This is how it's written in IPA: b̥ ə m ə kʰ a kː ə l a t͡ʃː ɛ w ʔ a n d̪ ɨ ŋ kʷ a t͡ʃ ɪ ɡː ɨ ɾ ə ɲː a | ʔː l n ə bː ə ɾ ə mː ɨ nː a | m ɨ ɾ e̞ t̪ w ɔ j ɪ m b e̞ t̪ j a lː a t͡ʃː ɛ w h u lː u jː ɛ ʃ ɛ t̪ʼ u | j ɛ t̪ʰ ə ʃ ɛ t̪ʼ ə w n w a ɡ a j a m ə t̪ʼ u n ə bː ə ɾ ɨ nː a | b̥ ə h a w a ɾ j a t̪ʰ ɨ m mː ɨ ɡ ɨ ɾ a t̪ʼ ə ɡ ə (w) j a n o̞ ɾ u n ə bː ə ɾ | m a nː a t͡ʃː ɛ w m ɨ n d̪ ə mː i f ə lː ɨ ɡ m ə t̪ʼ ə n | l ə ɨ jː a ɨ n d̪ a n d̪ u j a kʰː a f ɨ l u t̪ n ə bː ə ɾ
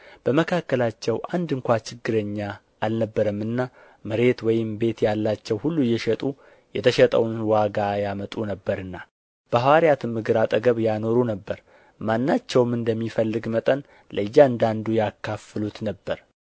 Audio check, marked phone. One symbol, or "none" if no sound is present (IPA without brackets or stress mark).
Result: β